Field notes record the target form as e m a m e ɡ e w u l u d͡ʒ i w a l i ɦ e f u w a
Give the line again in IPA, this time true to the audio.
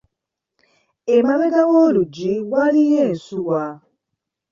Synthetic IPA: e m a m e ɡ a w o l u d͡ʒ i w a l i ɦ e s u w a